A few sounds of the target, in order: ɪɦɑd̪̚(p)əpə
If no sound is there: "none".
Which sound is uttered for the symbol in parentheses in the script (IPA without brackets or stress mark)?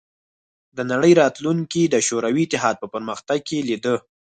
p